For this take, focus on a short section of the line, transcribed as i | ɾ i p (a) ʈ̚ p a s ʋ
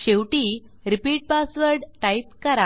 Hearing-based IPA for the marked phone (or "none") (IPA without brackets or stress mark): i